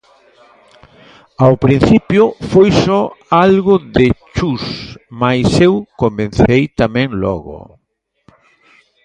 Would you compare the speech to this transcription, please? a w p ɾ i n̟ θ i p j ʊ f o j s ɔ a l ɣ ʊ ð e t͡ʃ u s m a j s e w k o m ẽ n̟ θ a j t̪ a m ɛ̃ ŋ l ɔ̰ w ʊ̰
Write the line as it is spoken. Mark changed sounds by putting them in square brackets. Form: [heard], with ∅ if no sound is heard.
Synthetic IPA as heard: a w p ɾ i n̟ θ i p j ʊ f o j s ɔ a l ɣ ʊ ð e t͡ʃ u s m a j s e w k o m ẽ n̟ θ [e] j t̪ a m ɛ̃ ŋ l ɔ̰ [ɣ] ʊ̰